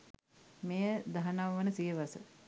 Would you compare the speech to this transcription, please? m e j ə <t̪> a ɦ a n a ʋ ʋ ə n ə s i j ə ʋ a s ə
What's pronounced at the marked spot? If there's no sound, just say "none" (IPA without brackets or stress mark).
d̪